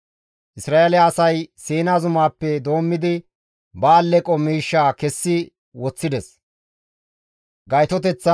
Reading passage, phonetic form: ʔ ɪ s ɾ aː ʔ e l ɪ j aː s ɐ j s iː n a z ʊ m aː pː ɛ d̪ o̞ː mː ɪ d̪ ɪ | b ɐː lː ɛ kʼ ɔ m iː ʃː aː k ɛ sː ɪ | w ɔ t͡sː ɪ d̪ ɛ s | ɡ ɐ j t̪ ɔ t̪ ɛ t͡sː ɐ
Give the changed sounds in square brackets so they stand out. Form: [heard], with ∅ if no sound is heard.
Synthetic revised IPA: ʔ ɪ s ɾ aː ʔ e l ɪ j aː s ɐ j s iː n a z ʊ m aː pː ɛ d̪ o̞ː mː ɪ d̪ ɪ | b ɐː lː ɛ kʼ ɔ m iː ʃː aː k ɛ sː ɪ | w ɔ t͡sː ɪ d̪ ɛ s | ɡ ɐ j t̪ ɔ t̪ ɛ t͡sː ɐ